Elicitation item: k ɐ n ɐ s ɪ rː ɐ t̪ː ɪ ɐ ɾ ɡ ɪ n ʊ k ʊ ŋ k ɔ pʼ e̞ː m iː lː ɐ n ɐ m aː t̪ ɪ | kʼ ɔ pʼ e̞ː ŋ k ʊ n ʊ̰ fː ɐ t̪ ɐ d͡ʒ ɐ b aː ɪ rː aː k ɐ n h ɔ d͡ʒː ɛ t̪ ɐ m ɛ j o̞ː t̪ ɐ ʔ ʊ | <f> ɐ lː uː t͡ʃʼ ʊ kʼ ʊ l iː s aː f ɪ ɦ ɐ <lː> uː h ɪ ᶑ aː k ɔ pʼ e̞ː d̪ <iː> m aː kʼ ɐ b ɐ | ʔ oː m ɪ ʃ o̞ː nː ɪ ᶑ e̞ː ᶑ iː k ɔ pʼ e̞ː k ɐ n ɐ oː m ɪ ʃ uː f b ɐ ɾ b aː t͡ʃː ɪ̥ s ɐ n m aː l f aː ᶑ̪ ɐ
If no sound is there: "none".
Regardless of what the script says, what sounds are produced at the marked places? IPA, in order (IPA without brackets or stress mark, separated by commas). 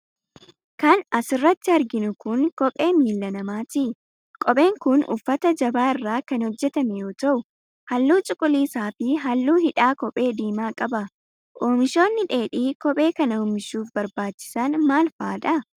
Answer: h, lː, iː